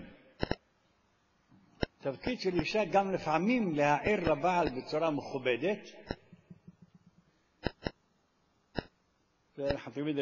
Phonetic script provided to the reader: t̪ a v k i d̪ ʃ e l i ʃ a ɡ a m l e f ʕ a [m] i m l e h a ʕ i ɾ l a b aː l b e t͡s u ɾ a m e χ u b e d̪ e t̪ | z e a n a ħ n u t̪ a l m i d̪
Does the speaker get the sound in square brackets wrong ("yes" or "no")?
no